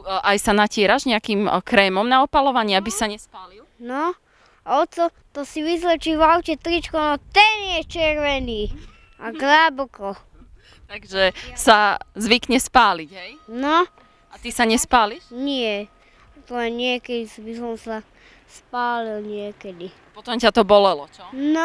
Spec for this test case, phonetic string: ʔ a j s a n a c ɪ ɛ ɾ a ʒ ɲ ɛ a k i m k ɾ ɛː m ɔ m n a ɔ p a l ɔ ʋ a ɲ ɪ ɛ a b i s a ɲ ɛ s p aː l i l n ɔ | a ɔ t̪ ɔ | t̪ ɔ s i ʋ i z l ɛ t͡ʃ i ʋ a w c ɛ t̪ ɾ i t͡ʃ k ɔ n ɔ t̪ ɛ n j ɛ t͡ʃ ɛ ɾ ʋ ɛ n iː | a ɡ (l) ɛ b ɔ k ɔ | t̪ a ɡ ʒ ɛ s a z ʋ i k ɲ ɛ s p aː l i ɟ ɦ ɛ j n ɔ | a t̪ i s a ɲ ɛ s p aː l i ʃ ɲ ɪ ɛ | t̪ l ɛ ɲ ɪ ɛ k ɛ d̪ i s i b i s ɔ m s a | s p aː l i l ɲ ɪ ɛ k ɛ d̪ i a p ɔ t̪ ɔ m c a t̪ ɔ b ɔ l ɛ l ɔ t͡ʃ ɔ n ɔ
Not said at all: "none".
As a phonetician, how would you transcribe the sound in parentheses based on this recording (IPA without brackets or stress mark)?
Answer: l